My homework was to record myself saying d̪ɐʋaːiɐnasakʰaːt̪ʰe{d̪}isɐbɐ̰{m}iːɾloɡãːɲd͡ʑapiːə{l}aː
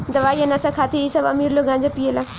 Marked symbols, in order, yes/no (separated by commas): no, yes, yes